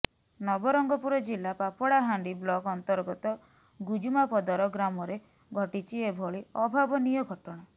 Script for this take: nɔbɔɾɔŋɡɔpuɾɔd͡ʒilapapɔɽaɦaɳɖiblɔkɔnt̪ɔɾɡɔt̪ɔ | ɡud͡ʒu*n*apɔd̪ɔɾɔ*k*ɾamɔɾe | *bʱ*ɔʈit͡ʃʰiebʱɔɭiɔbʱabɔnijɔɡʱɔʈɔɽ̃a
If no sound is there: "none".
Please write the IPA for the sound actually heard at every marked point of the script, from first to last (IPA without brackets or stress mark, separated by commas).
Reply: m, ɡ, ɡʱ